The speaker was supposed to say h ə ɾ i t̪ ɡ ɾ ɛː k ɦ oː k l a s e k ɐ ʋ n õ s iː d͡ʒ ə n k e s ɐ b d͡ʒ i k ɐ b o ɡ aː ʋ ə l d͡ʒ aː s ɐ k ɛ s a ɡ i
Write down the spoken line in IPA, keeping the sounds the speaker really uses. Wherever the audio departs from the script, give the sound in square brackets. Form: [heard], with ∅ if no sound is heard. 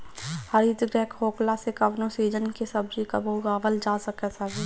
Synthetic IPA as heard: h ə ɾ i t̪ ɡ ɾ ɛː k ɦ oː k l a s e k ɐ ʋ n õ s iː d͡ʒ ə n k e s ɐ b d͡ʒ i k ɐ b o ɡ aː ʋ ə l d͡ʒ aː s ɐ k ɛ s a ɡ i